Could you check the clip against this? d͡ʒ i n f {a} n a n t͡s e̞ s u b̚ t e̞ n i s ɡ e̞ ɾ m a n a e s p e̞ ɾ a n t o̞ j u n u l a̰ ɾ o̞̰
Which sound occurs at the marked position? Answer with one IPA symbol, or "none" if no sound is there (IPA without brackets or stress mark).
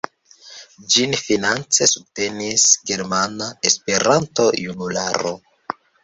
i